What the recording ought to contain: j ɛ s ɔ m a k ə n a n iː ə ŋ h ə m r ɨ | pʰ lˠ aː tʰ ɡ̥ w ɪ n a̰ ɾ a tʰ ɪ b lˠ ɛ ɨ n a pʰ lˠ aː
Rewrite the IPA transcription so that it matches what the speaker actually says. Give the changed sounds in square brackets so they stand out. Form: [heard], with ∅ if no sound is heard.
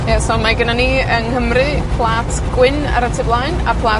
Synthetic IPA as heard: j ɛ s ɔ m a [ɡ] ə n a n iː ə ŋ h ə m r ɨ | pʰ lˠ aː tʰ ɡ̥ w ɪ n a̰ ɾ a tʰ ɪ b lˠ [a] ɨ n a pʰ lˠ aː